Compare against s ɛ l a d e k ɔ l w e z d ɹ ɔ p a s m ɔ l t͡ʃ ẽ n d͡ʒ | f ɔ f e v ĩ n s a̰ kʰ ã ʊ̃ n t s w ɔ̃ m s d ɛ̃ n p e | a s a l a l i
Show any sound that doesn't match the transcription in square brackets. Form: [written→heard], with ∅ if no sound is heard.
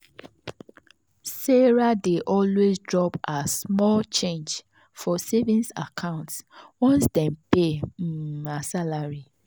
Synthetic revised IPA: s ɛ [l→ɹ] a d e [k→ʔ] ɔ l w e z d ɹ ɔ p a s m ɔ l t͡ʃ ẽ n d͡ʒ | f ɔ [f→s] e v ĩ n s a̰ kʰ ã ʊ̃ n t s w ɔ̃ [m→n] s d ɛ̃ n p e | a s a l a [l→ɹ] i